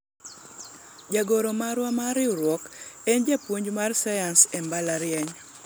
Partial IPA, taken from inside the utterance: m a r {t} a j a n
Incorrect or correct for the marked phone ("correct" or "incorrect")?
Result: incorrect